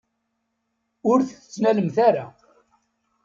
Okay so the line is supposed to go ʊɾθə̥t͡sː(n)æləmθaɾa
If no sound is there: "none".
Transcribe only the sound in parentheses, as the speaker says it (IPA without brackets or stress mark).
n